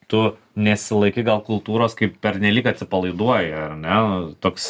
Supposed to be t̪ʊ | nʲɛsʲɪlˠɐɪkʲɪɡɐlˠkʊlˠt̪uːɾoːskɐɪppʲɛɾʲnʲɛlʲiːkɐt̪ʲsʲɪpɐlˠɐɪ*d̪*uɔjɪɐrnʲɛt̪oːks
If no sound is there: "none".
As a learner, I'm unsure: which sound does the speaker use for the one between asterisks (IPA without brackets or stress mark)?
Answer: d̪